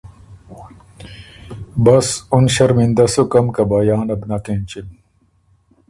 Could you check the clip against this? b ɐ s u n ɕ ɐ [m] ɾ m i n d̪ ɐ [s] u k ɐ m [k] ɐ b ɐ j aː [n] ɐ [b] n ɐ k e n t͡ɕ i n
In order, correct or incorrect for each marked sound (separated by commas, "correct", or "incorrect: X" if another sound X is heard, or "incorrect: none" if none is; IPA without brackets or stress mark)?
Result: incorrect: none, correct, correct, correct, correct